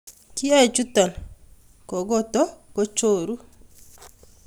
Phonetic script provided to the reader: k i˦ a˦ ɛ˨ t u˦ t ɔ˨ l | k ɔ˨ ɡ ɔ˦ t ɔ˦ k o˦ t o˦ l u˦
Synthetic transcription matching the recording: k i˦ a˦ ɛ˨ t͡ʃ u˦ t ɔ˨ l | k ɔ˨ ɡ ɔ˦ t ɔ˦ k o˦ t͡ʃ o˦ ɾ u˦